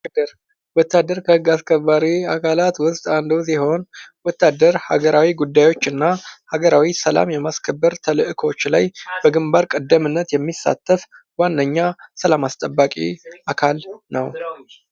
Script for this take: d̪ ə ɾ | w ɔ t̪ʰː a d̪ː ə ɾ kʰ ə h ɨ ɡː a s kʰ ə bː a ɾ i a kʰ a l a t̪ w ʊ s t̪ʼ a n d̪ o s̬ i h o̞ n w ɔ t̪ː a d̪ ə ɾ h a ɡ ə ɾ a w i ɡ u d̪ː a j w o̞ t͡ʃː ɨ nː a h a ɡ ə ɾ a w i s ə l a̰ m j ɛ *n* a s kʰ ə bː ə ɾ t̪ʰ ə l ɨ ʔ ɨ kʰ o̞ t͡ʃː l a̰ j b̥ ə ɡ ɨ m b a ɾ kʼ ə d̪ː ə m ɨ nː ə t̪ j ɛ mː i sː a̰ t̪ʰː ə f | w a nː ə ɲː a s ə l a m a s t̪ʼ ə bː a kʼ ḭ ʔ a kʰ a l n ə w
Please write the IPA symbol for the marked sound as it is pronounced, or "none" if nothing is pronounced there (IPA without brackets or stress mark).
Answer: m